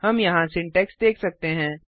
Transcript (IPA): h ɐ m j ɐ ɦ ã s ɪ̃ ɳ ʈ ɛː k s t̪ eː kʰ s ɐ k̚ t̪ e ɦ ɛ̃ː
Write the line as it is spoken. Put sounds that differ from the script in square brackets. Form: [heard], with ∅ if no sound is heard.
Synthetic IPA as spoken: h ɐ m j ɐ ɦ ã s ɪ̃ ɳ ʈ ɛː k s [d̪] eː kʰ s ɐ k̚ t̪ e ɦ ɛ̃ː